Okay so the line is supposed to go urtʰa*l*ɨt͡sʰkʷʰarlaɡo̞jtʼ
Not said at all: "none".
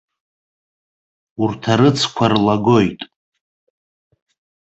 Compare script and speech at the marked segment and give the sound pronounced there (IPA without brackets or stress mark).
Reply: ɾ